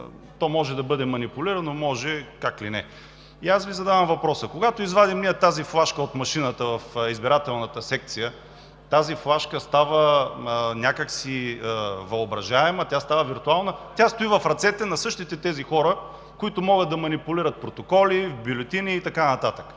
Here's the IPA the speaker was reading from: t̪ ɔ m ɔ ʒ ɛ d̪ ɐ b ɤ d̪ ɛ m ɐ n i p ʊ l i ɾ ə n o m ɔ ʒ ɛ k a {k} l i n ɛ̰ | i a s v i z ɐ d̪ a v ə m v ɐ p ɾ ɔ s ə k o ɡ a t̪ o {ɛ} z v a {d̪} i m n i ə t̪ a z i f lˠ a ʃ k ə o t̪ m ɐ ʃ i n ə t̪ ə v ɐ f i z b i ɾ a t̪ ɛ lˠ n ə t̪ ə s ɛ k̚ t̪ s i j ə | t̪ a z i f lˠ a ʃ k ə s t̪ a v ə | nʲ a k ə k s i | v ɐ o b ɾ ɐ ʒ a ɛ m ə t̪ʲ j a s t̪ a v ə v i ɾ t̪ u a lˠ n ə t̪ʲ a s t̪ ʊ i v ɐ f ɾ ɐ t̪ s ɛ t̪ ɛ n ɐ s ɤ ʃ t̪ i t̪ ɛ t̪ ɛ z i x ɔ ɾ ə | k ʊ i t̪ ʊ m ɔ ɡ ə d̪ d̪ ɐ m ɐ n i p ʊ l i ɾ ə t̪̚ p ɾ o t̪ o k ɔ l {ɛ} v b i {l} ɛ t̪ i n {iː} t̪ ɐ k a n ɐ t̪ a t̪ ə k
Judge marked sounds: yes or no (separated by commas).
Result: yes, no, yes, no, yes, yes